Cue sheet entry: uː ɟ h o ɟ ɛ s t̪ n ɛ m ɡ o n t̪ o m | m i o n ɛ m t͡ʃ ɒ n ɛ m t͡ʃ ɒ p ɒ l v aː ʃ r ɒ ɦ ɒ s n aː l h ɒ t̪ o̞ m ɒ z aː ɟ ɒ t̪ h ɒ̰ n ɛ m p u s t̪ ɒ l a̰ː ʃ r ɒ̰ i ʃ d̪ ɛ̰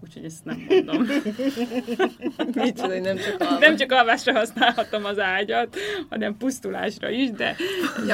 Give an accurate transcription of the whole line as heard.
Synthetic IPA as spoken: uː c h o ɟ ɛ s t̪ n ɛ m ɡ o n d̪ o m | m i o n ɛ m t͡ʃ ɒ n ɛ m t͡ʃ ɒ k ɒ l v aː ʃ r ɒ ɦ ɒ s n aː l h ɒ t̪ o̞ m ɒ z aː ɟ ɒ t̪ h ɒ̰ n ɛ m p u s t̪ u l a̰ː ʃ r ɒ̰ i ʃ d̪ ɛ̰